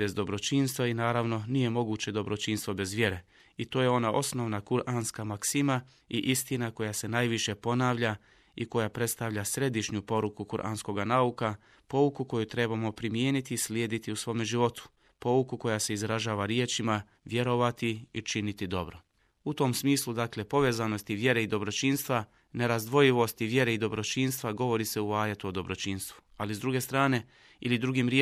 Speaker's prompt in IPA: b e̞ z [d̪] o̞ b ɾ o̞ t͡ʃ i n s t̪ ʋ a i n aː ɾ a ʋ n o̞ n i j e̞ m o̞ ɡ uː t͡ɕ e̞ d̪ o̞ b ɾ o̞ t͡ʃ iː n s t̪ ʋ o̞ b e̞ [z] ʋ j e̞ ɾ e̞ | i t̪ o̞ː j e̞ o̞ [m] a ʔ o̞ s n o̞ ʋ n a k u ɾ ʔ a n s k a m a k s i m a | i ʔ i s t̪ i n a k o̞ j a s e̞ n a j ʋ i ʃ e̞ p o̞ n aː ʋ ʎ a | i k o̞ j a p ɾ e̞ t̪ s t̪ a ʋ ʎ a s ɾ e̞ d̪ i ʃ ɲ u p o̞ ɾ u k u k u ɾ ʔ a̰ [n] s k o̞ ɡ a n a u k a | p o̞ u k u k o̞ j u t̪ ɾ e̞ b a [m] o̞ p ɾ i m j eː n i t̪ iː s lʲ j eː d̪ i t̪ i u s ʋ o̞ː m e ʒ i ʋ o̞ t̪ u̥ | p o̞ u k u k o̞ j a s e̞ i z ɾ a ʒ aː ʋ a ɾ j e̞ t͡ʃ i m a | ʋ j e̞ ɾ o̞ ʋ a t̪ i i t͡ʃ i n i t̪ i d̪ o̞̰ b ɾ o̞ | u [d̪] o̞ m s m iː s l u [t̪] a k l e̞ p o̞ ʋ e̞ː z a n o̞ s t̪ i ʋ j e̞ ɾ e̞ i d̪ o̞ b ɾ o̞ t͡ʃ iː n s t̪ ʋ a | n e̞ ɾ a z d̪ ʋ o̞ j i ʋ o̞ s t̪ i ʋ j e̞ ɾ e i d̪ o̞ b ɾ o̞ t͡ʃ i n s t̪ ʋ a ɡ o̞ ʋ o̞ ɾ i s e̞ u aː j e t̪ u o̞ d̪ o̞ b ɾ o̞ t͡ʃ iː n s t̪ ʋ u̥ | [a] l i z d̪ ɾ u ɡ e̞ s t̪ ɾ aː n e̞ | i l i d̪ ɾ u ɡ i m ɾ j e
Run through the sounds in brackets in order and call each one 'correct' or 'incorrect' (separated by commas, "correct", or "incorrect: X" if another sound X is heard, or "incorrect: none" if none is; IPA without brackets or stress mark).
correct, correct, incorrect: n, correct, correct, incorrect: t̪, incorrect: d̪, correct